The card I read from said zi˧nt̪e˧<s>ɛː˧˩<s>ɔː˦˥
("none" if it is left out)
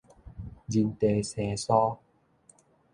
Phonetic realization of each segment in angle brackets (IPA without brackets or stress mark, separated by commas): s, s